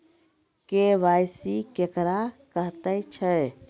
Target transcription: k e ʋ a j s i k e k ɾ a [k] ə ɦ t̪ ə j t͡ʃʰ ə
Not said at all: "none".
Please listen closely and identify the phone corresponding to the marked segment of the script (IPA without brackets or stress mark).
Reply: k